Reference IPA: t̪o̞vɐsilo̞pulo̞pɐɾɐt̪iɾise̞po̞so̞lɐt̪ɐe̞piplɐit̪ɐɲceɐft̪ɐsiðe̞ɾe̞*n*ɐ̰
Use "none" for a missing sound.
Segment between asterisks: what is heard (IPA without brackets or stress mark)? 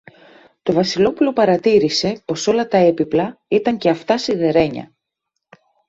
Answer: ɲ